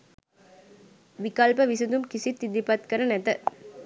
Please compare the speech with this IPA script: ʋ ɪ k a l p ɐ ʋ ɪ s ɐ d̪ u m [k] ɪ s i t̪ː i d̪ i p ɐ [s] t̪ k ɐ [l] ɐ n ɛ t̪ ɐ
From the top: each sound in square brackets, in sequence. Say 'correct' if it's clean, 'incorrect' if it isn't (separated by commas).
correct, incorrect, incorrect